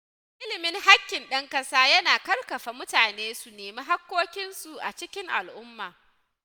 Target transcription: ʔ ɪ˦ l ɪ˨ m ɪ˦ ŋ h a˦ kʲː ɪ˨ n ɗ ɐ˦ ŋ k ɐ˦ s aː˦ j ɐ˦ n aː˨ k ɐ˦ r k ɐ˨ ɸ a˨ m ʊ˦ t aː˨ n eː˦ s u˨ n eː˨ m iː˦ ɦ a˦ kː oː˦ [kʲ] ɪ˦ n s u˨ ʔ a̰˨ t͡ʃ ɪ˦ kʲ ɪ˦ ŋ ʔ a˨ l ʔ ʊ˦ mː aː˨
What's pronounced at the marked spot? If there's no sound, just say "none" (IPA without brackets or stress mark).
kʲ